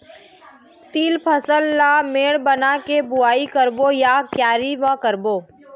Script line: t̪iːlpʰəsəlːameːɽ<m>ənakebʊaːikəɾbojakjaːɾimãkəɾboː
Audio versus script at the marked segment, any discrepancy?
yes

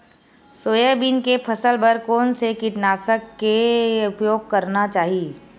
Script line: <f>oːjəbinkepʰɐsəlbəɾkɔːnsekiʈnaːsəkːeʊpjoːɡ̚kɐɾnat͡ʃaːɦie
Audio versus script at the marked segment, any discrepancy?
yes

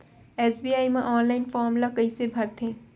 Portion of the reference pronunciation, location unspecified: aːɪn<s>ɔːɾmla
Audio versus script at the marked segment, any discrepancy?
yes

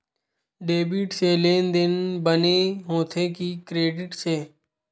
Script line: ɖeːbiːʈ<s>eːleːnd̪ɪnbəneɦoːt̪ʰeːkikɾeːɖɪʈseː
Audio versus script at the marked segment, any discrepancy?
no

